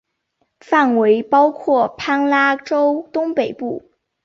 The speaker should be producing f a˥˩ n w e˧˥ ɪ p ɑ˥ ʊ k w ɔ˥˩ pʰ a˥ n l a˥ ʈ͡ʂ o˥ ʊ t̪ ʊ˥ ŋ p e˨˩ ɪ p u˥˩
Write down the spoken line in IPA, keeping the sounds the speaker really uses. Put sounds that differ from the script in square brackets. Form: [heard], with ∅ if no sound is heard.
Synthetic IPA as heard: f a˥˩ n w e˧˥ ɪ p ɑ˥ ʊ [kʰ] w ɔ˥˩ pʰ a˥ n l a˥ ʈ͡ʂ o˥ ʊ t̪ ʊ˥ ŋ p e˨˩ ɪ p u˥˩